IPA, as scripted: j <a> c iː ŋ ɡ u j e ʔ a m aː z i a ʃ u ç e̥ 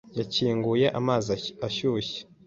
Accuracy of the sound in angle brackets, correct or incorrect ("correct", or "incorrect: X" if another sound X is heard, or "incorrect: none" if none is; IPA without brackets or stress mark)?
correct